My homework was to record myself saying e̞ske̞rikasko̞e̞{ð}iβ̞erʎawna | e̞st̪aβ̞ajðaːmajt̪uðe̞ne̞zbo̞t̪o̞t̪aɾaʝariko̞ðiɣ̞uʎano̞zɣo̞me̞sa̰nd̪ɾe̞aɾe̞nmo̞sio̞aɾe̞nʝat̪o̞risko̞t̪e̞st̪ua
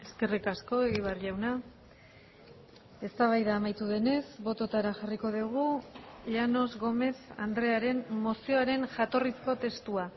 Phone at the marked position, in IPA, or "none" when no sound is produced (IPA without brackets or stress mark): ɣ